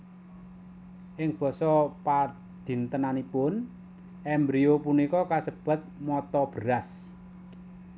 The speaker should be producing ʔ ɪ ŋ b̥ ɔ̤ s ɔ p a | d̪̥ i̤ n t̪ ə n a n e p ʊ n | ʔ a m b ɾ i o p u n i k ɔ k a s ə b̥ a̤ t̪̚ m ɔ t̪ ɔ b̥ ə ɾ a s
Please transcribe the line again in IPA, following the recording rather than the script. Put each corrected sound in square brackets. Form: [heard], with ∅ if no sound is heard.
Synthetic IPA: ʔ ɪ ŋ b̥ ɔ̤ s ɔ p a | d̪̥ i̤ n t̪ ə n a n [i] p ʊ n | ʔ [ɛ] m b ɾ i o p u n i k ɔ k a s ə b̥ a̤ t̪̚ m ɔ t̪ ɔ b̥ ə ɾ a s

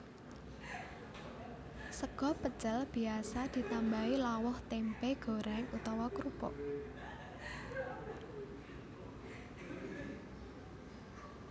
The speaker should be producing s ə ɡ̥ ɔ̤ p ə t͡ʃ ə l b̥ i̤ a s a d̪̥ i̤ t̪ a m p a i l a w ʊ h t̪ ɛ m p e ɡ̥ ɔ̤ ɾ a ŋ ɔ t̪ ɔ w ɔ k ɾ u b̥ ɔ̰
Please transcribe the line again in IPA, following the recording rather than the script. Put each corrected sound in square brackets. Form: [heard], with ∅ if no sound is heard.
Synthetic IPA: s ə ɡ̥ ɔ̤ p ə t͡ʃ ə l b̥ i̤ a s a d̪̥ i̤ t̪ a m [b] a i l a w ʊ h t̪ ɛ m p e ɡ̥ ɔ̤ ɾ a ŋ [u] t̪ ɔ w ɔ k ɾ u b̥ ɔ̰

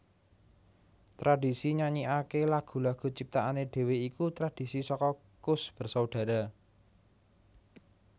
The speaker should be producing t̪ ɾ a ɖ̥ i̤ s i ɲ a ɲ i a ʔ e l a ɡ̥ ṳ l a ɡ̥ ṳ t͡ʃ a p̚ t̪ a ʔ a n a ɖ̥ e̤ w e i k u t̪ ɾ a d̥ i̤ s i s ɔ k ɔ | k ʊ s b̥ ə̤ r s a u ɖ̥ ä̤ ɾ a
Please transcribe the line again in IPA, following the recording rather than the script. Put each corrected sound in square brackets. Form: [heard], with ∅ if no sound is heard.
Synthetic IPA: t̪ ɾ a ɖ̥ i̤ s i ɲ a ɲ i a [k] e l a ɡ̥ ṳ l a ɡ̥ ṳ t͡ʃ [i] p̚ t̪ a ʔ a n [e] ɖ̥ e̤ w e i k u t̪ ɾ a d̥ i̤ s i s ɔ k ɔ | k ʊ s b̥ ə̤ r s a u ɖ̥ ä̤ ɾ a

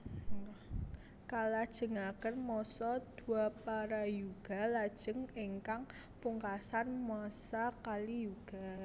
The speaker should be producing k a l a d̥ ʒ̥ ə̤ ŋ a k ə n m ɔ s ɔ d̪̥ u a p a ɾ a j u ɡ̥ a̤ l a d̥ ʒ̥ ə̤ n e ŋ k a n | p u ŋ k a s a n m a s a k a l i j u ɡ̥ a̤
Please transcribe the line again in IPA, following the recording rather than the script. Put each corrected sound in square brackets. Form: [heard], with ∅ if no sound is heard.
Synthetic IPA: k a l a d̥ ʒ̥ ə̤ ŋ a k ə n m ɔ s ɔ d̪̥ u a p a ɾ a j u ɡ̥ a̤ l a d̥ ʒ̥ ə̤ [ŋ] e ŋ k a [ŋ] | p u ŋ k a s a n m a s a k a l i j u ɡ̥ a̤

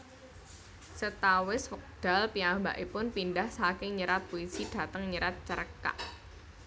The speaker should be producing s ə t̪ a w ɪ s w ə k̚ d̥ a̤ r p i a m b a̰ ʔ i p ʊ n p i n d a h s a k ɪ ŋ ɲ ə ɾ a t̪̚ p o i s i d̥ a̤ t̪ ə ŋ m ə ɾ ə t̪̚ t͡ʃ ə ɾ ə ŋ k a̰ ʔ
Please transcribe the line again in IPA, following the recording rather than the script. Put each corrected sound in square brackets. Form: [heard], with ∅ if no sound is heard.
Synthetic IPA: s ə t̪ a w ɪ s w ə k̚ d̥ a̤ [l] p i a m b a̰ ʔ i p ʊ n p i n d a h s a k ɪ ŋ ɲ ə ɾ a t̪̚ p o i s i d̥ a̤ t̪ ə ŋ [ɲ] ə ɾ [a] t̪̚ t͡ʃ ə ɾ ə [∅] k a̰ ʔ

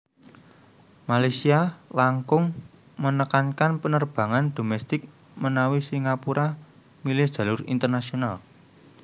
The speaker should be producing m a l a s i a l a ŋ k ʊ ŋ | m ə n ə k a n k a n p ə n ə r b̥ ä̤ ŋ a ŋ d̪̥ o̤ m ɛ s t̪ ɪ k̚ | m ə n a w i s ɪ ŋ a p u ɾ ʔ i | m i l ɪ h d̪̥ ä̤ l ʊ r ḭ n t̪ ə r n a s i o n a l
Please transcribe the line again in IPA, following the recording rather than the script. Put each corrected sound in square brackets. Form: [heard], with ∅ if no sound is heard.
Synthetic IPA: m a l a s i a l a ŋ k ʊ ŋ | m ə n ə k a n k a n p ə n ə r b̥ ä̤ ŋ a [n] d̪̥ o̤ m ɛ s t̪ ɪ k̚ | m ə n a w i s [i] ŋ a p u ɾ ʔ [a] | m i l ɪ h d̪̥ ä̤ l ʊ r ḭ n t̪ ə r n a s i o n a l

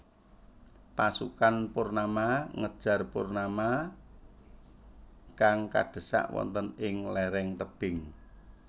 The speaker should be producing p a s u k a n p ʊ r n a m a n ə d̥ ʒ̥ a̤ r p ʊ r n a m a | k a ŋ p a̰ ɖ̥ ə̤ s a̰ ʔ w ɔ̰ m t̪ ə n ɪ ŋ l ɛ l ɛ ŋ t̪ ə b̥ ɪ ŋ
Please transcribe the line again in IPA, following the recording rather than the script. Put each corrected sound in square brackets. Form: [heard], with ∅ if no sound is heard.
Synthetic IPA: p a s u k a n p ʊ r n a m a [ŋ] ə d̥ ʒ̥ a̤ r p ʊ r n a m a | k a ŋ [k] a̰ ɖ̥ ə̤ s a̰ ʔ w ɔ̰ [n] t̪ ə n ɪ ŋ l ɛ [ɾ] ɛ ŋ t̪ ə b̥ ɪ ŋ

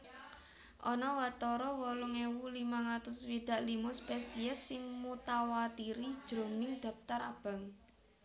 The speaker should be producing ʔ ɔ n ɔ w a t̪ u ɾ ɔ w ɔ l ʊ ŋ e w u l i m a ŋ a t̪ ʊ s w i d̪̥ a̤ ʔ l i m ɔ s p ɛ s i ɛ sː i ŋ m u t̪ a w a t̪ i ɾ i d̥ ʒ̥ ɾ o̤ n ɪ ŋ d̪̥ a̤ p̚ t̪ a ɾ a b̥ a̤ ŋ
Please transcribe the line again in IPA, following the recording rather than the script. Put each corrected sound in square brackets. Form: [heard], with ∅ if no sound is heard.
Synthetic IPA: ʔ ɔ n ɔ w a t̪ [ɔ] ɾ ɔ w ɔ l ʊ ŋ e w u l i m a ŋ a t̪ ʊ s w i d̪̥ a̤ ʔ l i m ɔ s p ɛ s i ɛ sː [ɪ] ŋ m u t̪ a w a t̪ i ɾ i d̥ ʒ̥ ɾ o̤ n ɪ ŋ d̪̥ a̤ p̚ t̪ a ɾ a b̥ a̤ ŋ

